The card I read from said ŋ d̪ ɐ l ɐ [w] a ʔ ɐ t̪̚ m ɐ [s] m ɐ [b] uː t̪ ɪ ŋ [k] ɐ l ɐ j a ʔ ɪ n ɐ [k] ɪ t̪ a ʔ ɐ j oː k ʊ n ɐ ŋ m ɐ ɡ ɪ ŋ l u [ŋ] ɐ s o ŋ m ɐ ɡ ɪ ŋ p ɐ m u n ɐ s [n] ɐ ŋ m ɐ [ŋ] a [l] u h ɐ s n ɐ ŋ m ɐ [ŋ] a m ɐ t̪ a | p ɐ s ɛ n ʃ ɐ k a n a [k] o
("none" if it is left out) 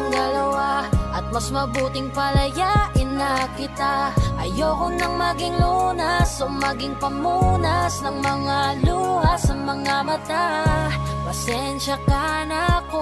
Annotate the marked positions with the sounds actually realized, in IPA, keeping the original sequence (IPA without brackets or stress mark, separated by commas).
w, s, b, p, k, n, n, ŋ, l, ŋ, k